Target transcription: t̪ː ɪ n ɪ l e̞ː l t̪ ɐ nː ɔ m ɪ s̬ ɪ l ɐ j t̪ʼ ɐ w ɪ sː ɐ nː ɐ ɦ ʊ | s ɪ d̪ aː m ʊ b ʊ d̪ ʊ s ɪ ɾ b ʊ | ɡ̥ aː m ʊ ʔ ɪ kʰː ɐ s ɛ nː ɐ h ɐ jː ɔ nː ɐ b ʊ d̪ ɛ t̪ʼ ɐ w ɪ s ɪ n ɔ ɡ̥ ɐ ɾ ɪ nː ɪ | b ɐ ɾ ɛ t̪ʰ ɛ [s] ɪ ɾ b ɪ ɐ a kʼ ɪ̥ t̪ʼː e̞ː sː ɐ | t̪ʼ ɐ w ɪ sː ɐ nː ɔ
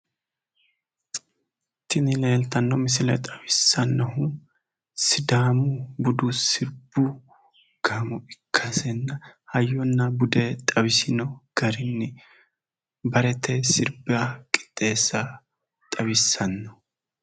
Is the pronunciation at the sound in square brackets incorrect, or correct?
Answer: correct